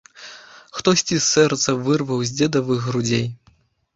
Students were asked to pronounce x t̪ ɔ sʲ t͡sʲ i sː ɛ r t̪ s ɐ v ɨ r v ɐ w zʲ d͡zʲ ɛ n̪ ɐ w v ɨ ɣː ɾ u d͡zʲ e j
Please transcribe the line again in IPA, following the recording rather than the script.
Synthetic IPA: x t̪ ɔ sʲ t͡sʲ i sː ɛ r t̪ s ɐ v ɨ r v ɐ w zʲ d͡zʲ ɛ d̪ ɐ v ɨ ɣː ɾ u d͡zʲ e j

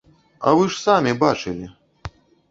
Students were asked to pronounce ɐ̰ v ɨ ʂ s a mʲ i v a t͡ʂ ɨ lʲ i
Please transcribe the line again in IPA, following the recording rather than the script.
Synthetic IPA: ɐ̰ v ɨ ʂ s a mʲ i b a t͡ʂ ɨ lʲ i

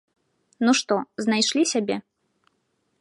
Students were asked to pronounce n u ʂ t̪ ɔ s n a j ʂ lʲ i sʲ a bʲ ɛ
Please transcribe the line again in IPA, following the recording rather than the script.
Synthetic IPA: n u ʂ t̪ ɔ z n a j ʂ lʲ i sʲ a bʲ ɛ

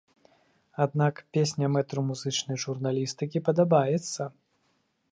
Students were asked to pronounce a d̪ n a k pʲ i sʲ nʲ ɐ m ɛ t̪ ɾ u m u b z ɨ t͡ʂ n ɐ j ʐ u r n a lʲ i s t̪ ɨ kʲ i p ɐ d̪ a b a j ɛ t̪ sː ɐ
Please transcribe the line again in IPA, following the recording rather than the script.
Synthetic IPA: a d̪ n a k pʲ e sʲ nʲ ɐ m ɛ t̪ ɾ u m u z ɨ t͡ʂ n ɐ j ʐ u r n a lʲ i s t̪ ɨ kʲ i p ɐ d̪ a b a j ɛ t̪ sː ɐ

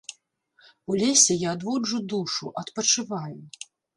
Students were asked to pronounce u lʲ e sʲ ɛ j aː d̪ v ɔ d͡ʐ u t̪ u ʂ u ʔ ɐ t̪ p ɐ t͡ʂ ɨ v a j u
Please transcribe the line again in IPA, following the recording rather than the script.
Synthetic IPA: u lʲ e sʲ ɛ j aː d̪ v ɔ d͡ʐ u d̪ u ʂ u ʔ ɐ t̪ p ɐ t͡ʂ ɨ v a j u

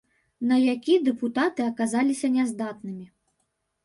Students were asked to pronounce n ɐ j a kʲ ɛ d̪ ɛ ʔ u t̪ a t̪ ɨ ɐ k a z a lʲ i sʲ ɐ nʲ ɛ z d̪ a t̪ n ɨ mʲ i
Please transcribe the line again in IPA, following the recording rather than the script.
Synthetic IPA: n ɐ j a kʲ i d̪ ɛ p u t̪ a t̪ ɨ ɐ k a z a lʲ i sʲ ɐ nʲ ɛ z d̪ a t̪ n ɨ mʲ i

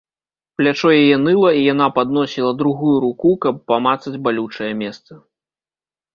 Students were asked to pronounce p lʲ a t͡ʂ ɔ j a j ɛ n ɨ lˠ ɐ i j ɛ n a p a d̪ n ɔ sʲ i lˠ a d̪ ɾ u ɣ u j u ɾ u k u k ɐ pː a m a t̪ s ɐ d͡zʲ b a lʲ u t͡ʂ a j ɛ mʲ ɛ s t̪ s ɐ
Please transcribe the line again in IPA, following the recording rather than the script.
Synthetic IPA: p lʲ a t͡ʂ ɔ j a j ɛ n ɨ lˠ ɐ i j a n a p a d̪ n ɔ sʲ i lˠ ɐ d̪ ɾ u ɣ u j u ɾ u k u k ɐ pː a m a t̪ s ɐ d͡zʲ b a lʲ u t͡ʂ ɐ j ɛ mʲ ɛ s t̪ s ɐ

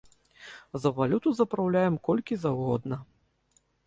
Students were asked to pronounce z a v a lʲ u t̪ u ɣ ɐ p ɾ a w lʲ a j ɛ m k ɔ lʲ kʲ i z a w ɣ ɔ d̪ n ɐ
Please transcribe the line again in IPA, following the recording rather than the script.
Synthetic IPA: z ɐ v a lʲ u t̪ u z ɐ p ɾ a w lʲ a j ɛ m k ɔ lʲ kʲ i z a w ɣ ɔ d̪ n ɐ

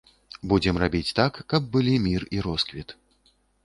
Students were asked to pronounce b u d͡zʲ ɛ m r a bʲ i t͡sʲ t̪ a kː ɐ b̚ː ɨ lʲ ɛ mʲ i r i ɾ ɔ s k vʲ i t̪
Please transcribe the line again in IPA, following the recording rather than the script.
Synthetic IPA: b u d͡zʲ ɛ m r a bʲ i t͡sʲ t̪ a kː ɐ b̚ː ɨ lʲ i mʲ i r i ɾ ɔ s k vʲ i t̪

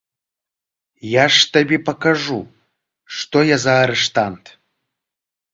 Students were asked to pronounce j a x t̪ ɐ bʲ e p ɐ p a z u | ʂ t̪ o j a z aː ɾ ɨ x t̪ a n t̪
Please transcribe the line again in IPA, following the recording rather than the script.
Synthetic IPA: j a ʂ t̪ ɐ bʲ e p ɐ k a ʐ u | ʂ t̪ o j a z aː ɾ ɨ ʂ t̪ a n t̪

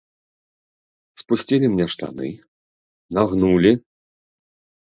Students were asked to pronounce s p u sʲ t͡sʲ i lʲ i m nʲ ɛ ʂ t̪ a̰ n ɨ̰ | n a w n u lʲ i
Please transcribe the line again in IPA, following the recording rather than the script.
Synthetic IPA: s p u sʲ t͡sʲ i lʲ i m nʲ ɛ ʂ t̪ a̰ n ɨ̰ | n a ɣ n u lʲ i

